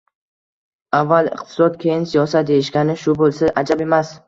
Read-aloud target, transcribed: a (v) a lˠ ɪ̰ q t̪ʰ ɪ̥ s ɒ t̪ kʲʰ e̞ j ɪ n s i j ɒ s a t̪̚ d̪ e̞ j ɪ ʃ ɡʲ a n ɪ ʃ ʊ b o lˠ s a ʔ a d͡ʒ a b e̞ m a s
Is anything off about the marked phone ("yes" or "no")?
yes